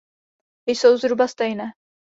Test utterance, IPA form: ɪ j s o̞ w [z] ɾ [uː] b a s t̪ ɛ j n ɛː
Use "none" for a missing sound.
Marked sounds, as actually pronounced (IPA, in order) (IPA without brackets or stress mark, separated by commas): z, u